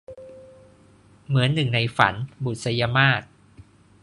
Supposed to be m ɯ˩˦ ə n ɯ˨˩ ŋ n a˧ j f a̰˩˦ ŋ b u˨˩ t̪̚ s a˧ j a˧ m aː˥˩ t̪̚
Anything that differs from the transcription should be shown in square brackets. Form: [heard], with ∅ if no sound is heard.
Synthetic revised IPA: m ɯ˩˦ ə [nː] ɯ˨˩ ŋ n a˧ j f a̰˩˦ [n] b u˨˩ t̪̚ s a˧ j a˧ m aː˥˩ t̪̚